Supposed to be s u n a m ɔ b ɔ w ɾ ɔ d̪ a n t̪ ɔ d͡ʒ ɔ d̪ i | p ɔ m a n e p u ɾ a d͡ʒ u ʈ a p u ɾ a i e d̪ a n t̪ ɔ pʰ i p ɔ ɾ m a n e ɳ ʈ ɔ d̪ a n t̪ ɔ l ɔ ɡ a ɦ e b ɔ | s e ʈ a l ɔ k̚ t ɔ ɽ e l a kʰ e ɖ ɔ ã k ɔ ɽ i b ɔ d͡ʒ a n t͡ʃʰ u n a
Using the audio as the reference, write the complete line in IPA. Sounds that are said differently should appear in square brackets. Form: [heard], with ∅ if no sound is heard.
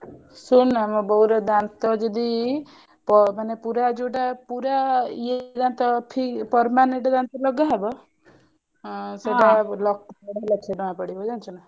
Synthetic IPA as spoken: s u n a m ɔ b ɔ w ɾ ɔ d̪ a n t̪ ɔ d͡ʒ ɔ d̪ i | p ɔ m a n e p u ɾ a d͡ʒ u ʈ a p u ɾ a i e d̪ a n t̪ ɔ pʰ i p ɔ ɾ m a n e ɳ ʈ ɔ d̪ a n t̪ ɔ l ɔ ɡ a ɦ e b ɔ | s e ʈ a l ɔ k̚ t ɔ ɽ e l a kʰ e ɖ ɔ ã [p] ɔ ɽ i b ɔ d͡ʒ a n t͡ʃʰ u n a